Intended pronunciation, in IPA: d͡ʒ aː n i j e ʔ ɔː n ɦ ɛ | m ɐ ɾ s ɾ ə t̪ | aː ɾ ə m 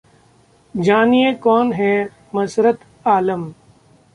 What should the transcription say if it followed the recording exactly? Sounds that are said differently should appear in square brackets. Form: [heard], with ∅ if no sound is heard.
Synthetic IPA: d͡ʒ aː n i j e [k] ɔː n ɦ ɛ | m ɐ [∅] s ɾ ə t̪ | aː [l] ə m

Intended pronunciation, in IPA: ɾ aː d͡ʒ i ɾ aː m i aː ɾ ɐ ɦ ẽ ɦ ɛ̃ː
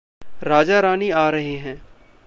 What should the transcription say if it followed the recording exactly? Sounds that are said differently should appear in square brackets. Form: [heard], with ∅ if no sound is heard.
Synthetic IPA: ɾ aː d͡ʒ [a] ɾ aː [n] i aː ɾ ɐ ɦ [e] ɦ ɛ̃ː

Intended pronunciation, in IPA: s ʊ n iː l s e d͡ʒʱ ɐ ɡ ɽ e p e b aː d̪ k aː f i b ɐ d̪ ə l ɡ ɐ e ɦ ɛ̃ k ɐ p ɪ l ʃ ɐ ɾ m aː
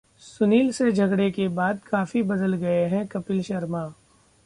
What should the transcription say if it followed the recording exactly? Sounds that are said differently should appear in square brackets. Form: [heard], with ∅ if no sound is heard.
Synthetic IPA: s ʊ n iː l s e d͡ʒʱ ɐ ɡ ɽ e [k] e b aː d̪ k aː f i b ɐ d̪ ə l ɡ ɐ e ɦ ɛ̃ k ɐ p ɪ l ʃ ɐ ɾ m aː

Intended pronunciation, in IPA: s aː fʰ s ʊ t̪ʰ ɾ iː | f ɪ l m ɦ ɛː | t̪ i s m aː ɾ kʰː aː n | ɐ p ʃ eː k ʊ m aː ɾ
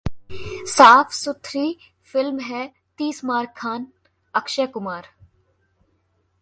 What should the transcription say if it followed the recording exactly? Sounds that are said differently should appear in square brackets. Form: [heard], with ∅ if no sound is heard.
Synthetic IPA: s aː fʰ s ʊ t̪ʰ ɾ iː | f ɪ l m ɦ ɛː | t̪ [iː] s m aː ɾ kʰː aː n | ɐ [k] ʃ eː k ʊ m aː ɾ

